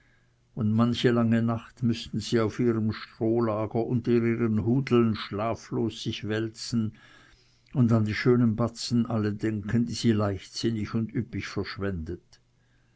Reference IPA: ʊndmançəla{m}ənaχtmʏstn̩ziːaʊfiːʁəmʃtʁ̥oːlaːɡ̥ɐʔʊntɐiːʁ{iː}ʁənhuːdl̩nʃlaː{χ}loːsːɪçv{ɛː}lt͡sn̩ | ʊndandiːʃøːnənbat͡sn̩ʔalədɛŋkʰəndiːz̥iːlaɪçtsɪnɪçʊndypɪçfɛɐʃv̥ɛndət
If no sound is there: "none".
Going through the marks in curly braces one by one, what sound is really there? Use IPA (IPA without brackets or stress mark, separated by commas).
ŋ, iː, f, ɛ